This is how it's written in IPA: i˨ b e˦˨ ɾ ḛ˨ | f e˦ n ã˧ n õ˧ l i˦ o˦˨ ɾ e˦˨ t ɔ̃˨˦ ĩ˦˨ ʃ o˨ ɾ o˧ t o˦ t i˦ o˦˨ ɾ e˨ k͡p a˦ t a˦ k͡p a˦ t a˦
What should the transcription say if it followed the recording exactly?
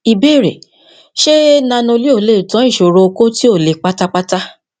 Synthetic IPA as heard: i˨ b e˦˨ ɾ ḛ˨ | ʃ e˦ n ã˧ n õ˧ l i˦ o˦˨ l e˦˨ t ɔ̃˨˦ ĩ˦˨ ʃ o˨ ɾ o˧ k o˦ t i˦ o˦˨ l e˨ k͡p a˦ t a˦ k͡p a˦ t a˦